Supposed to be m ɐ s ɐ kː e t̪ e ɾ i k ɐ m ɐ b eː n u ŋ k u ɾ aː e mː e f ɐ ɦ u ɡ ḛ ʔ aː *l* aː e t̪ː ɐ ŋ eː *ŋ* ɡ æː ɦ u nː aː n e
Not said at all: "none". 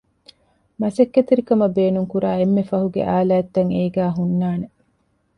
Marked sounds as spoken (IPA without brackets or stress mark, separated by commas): l, none